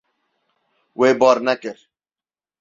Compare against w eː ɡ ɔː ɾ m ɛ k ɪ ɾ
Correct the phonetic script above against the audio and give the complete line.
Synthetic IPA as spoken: w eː b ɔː ɾ n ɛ k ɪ ɾ